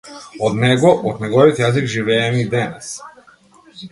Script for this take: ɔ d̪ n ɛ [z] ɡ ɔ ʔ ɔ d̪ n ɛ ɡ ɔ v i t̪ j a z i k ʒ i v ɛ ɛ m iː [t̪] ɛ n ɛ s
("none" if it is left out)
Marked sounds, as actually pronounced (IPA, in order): none, d̪

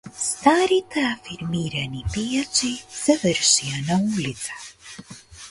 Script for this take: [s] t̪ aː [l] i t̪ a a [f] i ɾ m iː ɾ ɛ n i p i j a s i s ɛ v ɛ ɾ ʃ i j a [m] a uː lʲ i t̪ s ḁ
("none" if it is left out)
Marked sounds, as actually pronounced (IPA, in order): s, ɾ, f, n

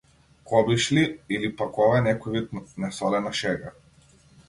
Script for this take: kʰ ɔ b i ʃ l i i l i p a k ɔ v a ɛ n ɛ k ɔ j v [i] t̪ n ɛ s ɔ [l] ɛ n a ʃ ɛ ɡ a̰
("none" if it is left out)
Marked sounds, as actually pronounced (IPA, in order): i, l

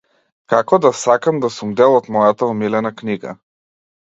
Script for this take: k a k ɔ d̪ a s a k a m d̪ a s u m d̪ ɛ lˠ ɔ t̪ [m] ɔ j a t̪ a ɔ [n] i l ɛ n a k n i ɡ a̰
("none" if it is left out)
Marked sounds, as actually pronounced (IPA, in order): m, m

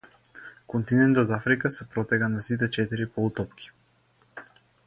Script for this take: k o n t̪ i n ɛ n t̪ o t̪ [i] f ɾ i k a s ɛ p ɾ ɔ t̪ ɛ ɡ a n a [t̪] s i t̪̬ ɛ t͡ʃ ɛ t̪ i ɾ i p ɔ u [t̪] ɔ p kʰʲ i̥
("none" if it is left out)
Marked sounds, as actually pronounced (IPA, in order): a, none, t̪

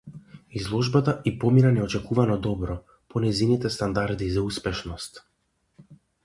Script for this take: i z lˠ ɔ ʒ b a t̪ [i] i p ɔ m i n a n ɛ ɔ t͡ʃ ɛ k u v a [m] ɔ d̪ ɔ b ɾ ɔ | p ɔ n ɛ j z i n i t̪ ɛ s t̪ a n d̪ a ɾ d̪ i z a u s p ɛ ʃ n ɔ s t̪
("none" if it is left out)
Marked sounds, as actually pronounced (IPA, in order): a, n

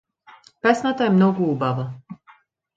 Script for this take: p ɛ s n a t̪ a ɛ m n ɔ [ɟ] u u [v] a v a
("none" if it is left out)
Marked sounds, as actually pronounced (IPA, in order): ɡ, b

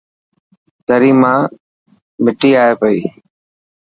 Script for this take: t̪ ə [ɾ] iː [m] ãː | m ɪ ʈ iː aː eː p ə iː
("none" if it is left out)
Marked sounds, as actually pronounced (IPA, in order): ɾ, m

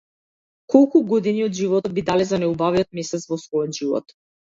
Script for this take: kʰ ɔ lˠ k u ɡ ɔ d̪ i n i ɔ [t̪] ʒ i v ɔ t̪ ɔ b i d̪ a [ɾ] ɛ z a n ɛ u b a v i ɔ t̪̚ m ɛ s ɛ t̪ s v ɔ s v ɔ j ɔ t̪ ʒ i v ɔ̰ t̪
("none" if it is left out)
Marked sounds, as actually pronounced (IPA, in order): d̪, l

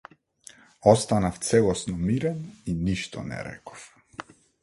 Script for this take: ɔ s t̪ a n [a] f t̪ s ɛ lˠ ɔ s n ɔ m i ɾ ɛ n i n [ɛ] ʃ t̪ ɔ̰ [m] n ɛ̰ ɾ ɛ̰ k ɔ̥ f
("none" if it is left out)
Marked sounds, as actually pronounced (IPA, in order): a, i, none

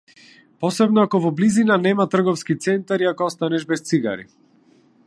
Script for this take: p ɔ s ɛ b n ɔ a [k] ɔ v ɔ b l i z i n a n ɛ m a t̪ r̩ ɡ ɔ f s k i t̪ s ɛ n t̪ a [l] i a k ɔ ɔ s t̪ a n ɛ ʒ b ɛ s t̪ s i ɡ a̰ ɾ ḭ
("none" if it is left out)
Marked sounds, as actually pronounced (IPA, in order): k, ɾ

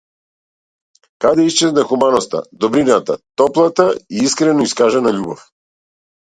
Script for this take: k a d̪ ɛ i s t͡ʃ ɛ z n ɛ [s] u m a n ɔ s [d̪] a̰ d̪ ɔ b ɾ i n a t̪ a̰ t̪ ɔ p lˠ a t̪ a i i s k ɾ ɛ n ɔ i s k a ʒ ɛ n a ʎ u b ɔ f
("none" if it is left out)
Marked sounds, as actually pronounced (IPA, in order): x, t̪

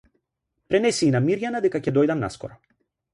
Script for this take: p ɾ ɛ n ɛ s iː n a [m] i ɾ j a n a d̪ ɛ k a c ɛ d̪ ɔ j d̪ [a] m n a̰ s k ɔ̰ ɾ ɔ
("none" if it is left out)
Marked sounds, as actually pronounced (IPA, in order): m, a

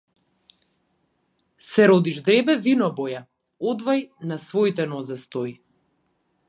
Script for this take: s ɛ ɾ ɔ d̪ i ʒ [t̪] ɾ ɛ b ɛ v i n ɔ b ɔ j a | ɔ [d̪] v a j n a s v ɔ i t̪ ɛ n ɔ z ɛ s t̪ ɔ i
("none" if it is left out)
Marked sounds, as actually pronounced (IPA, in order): d̪, d̪

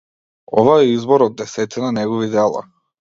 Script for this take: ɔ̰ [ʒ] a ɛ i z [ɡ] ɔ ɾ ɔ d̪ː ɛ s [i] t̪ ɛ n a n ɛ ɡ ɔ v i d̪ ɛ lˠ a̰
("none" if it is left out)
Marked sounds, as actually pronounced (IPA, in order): v, b, ɛ

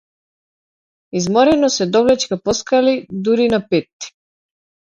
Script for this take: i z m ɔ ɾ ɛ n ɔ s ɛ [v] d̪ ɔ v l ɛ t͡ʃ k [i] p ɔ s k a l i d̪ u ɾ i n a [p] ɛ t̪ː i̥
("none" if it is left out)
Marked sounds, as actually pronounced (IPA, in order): none, a, p

